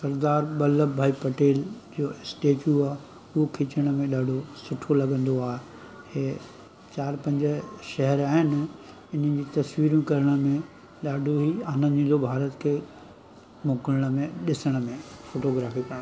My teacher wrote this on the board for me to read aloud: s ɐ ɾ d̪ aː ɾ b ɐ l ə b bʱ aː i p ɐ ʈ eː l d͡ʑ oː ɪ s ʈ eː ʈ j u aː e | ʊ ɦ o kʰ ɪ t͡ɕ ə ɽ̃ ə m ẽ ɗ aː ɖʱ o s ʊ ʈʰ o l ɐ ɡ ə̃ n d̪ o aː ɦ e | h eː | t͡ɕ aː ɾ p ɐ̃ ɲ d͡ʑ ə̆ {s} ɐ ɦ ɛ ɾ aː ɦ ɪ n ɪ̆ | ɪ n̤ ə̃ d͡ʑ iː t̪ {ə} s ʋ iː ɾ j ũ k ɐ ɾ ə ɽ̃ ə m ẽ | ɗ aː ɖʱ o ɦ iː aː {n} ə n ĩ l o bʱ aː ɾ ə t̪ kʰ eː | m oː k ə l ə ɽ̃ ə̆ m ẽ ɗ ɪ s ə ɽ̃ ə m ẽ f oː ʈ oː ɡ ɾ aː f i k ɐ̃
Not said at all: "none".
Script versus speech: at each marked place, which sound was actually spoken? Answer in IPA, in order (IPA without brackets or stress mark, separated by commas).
ʃ, ɐ, n